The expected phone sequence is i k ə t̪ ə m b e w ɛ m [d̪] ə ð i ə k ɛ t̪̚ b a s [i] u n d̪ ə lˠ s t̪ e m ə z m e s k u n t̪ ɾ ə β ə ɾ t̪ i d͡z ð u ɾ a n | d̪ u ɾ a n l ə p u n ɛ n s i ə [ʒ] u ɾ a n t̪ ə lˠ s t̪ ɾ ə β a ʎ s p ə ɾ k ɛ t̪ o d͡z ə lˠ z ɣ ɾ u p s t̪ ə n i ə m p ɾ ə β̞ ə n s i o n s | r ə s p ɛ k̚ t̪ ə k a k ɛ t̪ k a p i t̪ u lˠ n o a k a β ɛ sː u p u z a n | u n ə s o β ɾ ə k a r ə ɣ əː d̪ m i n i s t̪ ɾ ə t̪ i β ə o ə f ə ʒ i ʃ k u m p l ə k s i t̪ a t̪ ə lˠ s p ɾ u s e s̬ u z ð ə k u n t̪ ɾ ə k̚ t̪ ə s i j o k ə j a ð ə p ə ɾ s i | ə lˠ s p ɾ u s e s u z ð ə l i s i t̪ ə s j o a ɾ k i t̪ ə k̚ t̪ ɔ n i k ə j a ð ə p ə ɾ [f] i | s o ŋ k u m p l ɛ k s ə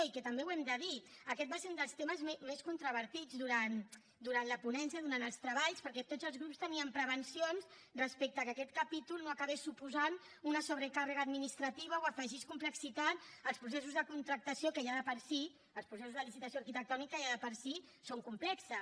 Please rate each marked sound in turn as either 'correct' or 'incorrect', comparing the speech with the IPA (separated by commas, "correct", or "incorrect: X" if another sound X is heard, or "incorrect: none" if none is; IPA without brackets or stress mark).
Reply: correct, incorrect: e, incorrect: ð, incorrect: s